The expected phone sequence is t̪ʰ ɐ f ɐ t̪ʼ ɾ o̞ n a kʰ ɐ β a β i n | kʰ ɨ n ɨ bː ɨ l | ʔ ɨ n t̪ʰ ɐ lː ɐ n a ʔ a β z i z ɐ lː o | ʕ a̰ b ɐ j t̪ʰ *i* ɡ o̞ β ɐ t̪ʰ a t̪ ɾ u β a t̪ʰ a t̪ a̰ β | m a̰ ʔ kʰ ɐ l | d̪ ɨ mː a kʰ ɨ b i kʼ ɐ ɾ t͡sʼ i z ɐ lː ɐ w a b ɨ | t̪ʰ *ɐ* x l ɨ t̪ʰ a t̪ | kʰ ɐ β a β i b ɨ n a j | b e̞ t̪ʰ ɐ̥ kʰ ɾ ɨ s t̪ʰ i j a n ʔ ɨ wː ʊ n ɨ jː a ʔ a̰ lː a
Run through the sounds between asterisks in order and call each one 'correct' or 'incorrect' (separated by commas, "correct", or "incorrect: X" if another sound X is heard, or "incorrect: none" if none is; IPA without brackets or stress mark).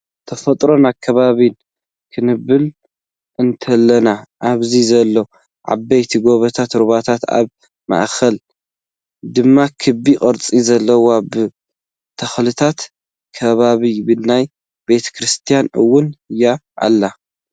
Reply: correct, correct